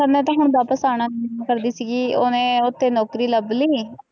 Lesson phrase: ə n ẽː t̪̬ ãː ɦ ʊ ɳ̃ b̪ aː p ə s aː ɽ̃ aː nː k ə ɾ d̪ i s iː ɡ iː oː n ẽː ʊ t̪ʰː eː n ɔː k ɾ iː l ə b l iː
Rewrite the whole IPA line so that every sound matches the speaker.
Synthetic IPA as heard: ə n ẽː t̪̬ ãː ɦ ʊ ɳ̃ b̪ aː p ə s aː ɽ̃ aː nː k ə ɾ d̪ iː s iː ɡ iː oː n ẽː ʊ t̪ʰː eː n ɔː k ɾ iː l ə b l iː

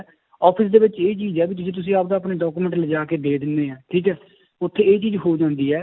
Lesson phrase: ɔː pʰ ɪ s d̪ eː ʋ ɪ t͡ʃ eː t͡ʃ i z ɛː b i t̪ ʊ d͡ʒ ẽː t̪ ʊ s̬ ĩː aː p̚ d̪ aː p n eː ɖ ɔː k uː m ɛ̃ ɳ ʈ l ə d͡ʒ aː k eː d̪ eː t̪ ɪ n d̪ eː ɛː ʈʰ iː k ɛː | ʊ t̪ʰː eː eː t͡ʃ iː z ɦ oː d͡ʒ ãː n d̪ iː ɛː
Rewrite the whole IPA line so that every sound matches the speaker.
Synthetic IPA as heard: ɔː pʰ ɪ s d̪ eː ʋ ɪ t͡ʃ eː t͡ʃ iː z ɛː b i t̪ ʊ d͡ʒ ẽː t̪ ʊ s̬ ĩː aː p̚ d̪ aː p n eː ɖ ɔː k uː m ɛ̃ ɳ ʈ l ə d͡ʒ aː k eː d̪ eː d̪ ɪ n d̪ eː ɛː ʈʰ iː k ɛː | ʊ t̪ʰː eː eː t͡ʃ iː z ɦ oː d͡ʒ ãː n d̪ iː ɛː

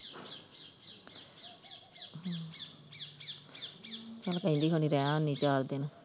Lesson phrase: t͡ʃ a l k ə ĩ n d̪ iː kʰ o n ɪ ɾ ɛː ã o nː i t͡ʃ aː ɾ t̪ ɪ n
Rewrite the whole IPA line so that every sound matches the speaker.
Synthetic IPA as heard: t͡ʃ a l k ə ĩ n d̪ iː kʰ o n i ɾ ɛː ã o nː i t͡ʃ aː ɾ d̪ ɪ n

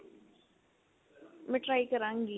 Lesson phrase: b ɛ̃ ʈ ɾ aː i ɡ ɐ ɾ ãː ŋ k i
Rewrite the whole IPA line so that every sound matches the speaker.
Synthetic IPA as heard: m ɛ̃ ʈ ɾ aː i k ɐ ɾ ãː ŋ ɡ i

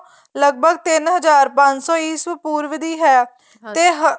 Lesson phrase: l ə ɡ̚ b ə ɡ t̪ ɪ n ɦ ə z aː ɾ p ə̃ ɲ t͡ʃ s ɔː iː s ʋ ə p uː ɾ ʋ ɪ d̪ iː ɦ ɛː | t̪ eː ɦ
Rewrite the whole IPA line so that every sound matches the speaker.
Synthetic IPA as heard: l ə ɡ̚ b ə ɡ t̪ ɪ n ɦ ə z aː ɾ p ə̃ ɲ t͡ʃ s ɔː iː s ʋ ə p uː ɾ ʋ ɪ d̪ iː ɦ ɛː | t̪ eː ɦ

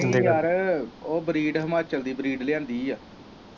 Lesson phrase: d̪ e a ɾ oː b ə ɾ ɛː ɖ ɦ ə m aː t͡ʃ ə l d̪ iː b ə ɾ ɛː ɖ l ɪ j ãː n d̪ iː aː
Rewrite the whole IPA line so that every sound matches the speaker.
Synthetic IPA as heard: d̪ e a ɾ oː b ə ɾ iː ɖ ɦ ə m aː t͡ʃ ə l d̪ iː b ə ɾ iː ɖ l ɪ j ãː n d̪ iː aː

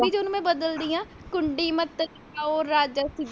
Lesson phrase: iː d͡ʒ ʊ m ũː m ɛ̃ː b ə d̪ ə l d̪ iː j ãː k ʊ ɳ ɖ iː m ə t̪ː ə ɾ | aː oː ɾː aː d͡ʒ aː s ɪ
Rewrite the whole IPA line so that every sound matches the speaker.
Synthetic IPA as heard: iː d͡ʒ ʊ n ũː m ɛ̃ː b ə d̪ ə l d̪ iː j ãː k ʊ ɳ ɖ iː m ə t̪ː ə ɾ | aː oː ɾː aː d͡ʒ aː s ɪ

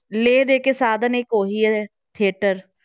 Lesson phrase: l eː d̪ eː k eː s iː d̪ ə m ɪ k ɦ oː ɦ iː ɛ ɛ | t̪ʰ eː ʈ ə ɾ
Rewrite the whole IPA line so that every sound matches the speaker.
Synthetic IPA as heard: l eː d̪ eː k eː s aː d̪ ə n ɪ k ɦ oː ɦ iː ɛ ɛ | t̪ʰ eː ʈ ə ɾ

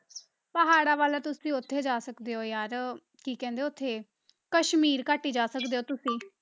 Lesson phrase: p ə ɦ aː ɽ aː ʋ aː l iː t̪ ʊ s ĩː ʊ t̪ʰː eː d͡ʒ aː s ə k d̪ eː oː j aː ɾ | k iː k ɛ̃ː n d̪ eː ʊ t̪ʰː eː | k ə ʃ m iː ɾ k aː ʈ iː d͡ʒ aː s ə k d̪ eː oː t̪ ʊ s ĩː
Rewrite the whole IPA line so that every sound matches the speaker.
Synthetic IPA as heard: p ə ɦ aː ɽ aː ʋ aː l aː t̪ ʊ s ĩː ʊ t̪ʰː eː d͡ʒ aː s ə k d̪ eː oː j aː ɾ | k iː k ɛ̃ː n d̪ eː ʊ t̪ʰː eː | k ə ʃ m iː ɾ k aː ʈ iː d͡ʒ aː s ə k d̪ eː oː t̪ ʊ s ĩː

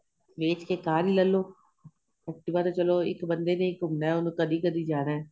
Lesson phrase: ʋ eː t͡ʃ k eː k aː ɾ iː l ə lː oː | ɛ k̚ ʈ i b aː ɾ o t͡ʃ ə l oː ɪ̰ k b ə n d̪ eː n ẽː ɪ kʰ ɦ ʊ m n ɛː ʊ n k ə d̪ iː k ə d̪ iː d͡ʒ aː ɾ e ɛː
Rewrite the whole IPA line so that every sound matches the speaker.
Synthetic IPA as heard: ʋ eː t͡ʃ k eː k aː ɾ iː l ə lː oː | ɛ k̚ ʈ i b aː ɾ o t͡ʃ ə l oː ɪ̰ k b ə n d̪ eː n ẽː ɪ k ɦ ʊ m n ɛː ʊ n k ə d̪ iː k ə d̪ iː d͡ʒ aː ɾ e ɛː

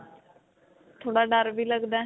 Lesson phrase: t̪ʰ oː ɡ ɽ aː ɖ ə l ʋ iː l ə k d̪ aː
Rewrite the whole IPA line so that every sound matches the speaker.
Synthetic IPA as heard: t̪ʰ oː ɽ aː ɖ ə ɾ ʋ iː l ə ɡ d̪ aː

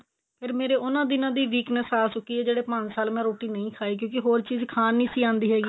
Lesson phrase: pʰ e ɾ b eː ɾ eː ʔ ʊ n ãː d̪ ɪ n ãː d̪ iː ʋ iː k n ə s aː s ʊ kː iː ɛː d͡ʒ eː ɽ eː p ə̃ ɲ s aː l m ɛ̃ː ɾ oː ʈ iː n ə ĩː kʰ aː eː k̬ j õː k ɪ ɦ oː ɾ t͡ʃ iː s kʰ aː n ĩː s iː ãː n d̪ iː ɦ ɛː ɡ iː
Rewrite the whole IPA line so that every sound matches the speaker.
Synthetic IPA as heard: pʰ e ɾ m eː ɾ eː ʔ ʊ n ãː d̪ ɪ n ãː d̪ iː ʋ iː k n ə s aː s ʊ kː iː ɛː d͡ʒ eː ɽ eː p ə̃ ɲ s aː l m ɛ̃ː ɾ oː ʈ iː n ə ĩː kʰ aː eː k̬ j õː k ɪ ɦ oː ɾ t͡ʃ iː z kʰ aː n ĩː s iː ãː n d̪ iː ɦ ɛː ɡ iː

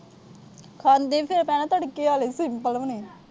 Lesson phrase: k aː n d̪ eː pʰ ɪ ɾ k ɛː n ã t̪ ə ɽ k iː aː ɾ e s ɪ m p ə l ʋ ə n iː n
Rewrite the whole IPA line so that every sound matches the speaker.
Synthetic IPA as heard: kʰ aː n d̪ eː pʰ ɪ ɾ p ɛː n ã t̪ ə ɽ k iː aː l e s ɪ m p ə l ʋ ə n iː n

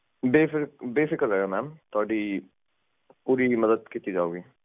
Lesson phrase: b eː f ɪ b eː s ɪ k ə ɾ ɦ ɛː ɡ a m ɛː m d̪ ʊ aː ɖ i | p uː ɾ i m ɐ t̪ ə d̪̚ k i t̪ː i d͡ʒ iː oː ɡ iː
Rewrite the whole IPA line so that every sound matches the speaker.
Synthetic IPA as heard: b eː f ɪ b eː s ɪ k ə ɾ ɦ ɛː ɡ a m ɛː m t̪ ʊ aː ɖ i | p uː ɾ i m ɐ d̪ ə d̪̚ k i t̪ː i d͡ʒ aː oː ɡ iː

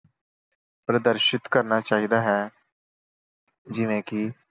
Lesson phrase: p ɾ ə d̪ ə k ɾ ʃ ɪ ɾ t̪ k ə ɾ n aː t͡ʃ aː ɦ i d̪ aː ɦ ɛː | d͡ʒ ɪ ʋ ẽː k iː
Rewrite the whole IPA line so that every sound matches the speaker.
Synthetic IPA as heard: p ɾ ə d̪ ə ɾ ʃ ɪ t̪ k ə ɾ n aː t͡ʃ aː ɦ i d̪ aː ɦ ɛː | d͡ʒ ɪ ʋ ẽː k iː

